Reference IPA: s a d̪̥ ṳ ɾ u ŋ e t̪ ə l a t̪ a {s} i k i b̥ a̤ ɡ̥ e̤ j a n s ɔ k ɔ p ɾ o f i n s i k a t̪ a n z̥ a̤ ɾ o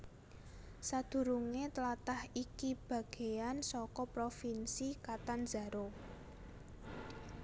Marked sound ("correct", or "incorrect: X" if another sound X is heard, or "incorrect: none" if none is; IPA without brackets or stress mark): incorrect: h